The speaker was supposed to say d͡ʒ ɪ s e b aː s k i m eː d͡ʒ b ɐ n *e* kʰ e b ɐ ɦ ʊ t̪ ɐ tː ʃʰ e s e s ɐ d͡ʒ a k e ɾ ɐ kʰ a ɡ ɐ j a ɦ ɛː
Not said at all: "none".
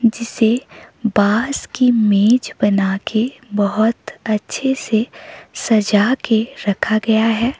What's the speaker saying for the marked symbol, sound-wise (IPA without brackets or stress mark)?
a